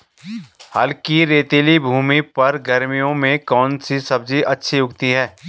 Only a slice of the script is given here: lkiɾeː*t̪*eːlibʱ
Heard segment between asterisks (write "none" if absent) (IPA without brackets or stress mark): t̪